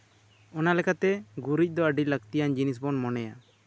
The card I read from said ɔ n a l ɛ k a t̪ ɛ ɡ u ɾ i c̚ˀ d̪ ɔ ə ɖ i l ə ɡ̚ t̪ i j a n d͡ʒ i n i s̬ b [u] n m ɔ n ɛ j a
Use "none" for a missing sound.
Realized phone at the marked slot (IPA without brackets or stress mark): ɔ